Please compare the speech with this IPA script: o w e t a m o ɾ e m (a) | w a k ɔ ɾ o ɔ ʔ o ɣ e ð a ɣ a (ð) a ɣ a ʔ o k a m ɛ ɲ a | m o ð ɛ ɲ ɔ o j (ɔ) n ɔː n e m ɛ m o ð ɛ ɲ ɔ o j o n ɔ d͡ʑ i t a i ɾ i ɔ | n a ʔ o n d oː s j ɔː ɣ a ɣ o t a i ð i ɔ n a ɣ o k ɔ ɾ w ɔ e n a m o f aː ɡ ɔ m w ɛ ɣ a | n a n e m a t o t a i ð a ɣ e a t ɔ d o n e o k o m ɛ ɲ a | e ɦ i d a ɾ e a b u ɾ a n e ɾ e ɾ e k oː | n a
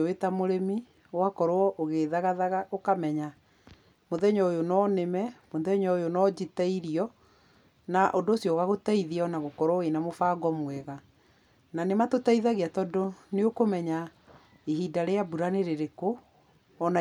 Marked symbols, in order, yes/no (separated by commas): no, yes, no